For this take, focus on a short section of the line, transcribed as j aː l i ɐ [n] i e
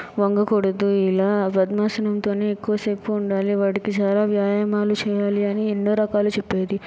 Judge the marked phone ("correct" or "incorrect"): correct